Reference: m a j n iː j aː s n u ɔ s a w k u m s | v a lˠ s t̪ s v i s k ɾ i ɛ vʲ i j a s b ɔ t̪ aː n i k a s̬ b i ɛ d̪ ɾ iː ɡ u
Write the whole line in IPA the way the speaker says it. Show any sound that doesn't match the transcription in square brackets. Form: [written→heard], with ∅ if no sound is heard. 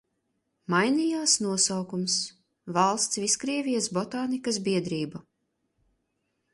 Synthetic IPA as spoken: m a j n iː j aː s n u ɔ s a w k u m s | v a lˠ s t̪ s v i s k ɾ i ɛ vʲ i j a s b ɔ t̪ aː n i k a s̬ b i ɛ d̪ ɾ iː [ɡ→b] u